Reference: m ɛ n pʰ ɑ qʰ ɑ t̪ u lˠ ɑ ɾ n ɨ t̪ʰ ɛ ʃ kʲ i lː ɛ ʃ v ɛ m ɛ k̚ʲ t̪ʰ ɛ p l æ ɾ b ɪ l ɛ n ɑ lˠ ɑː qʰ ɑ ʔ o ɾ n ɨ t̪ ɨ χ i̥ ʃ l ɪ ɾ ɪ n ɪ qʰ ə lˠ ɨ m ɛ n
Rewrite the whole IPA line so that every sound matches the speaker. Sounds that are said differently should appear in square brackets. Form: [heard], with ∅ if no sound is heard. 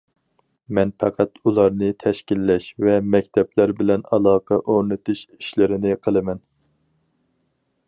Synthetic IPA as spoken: m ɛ n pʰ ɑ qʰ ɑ t̪ u lˠ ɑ ɾ n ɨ t̪ʰ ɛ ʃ kʲ i lː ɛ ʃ v ɛ m ɛ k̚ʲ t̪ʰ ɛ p l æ ɾ b ɪ l ɛ n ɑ lˠ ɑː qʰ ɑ ʔ o ɾ n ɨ t̪ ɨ [ʃ] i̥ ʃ l ɪ ɾ ɪ n ɪ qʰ ə lˠ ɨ m ɛ n